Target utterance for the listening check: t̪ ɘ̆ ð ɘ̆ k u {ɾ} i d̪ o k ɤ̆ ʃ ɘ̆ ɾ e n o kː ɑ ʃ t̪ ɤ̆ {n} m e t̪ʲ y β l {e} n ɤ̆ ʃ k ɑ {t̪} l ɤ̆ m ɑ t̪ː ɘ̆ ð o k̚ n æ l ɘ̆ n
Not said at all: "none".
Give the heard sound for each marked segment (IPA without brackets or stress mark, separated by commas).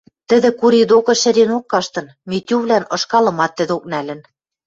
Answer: ɾ, n, æ, none